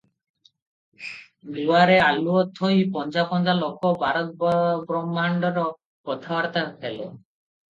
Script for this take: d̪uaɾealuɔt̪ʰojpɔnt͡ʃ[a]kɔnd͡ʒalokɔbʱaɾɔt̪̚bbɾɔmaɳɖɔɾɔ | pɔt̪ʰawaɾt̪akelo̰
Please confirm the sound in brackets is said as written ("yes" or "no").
yes